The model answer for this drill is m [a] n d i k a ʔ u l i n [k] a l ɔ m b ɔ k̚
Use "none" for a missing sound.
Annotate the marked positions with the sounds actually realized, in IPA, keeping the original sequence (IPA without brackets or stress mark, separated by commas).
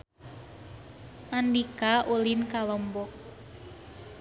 a, k